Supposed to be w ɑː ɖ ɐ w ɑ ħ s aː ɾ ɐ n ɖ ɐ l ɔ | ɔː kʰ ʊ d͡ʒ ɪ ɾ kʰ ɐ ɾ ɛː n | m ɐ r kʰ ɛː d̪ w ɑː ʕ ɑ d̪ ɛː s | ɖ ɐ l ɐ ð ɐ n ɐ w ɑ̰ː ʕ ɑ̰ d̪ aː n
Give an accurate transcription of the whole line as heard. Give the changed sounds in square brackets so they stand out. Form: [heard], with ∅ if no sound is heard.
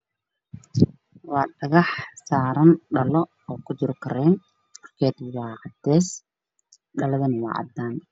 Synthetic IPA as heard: w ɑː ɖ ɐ [ɣ] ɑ ħ s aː ɾ ɐ n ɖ ɐ l ɔ | ɔː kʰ ʊ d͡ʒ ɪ ɾ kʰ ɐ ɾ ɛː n | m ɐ r kʰ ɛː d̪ w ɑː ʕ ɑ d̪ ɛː s | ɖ ɐ l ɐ ð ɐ n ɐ w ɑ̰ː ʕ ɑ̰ d̪ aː n